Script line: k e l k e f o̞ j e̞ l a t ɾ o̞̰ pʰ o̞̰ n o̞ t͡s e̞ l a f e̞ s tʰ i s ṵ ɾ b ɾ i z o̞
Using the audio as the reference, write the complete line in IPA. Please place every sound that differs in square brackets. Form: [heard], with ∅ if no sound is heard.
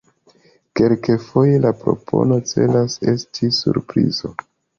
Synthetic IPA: k e l k e f o̞ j e̞ l a [p] ɾ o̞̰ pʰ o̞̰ n o̞ t͡s e̞ l a [s] e̞ s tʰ i s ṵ ɾ [p] ɾ i z o̞